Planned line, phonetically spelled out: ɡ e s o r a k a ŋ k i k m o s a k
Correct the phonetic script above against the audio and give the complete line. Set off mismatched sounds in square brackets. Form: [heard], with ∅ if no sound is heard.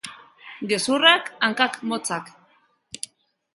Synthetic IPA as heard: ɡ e s [u] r a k a ŋ k [a] k m o [t͡s] a k